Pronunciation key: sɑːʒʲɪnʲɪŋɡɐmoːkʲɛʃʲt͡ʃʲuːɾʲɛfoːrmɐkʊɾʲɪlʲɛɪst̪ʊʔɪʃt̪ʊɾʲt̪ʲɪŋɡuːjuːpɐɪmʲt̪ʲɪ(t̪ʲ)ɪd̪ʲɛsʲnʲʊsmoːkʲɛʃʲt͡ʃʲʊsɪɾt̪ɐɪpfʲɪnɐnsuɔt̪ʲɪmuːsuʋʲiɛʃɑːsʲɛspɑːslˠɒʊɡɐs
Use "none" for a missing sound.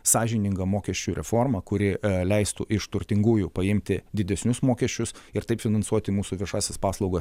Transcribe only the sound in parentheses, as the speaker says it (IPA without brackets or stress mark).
d̪ʲ